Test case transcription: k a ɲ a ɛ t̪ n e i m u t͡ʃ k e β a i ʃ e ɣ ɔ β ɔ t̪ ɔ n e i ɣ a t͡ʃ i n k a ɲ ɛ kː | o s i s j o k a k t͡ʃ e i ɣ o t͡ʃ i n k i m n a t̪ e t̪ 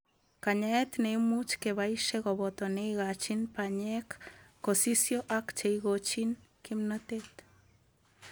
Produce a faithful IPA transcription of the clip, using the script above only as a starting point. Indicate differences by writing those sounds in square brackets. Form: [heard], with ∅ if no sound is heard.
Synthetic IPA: k a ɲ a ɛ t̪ n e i m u t͡ʃ k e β a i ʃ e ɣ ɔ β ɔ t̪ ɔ n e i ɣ a t͡ʃ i n [p] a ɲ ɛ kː | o s i s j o [ʔ] a k t͡ʃ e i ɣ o t͡ʃ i n k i m n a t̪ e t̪